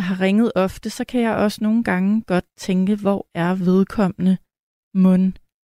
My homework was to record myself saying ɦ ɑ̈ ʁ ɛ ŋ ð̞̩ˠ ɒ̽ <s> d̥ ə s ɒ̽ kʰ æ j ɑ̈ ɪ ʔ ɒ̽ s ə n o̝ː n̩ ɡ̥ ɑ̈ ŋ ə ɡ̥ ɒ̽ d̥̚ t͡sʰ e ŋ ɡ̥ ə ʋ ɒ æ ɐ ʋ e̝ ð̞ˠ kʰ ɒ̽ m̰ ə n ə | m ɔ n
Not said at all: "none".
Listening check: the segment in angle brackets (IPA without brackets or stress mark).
f